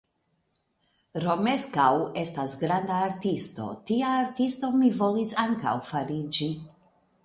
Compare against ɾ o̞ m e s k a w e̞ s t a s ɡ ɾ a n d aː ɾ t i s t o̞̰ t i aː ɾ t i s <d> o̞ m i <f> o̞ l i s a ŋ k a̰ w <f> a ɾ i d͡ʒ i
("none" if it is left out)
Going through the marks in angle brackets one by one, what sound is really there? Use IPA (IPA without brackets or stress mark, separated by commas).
t, v, f